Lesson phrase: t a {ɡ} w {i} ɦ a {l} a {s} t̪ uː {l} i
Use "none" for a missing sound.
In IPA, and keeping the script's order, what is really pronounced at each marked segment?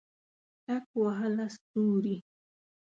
k, a, l, s, ɾ

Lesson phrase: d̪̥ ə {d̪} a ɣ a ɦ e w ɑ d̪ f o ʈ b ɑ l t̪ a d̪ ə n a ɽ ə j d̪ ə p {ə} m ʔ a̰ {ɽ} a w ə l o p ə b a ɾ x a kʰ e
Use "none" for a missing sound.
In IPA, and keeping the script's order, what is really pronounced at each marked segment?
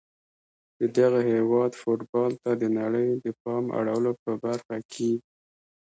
d̪, ɑ, ɽ

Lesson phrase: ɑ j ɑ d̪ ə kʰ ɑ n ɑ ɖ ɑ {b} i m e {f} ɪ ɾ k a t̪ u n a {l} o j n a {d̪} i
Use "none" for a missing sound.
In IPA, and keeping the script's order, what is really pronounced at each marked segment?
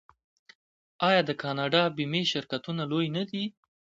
b, ʃ, l, d̪

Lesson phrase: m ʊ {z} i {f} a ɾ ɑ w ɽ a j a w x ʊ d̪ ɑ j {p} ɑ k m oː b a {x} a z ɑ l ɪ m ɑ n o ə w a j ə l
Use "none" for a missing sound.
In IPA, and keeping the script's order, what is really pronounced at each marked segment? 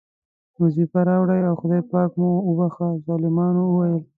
z, f, p, x

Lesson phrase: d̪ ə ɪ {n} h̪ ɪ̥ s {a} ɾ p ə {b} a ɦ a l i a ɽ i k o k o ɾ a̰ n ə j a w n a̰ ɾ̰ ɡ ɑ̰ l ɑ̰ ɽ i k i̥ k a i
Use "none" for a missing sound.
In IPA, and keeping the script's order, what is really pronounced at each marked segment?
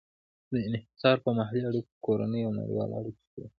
n, ɑ, m

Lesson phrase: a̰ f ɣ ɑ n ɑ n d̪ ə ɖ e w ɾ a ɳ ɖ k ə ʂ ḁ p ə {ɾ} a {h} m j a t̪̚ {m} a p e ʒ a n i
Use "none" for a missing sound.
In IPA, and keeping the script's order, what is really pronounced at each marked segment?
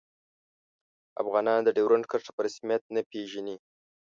ɾ, s, n

